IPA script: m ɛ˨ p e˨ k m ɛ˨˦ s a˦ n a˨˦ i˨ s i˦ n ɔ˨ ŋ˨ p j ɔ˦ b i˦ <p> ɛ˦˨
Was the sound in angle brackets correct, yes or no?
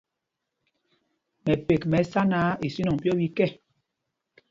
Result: no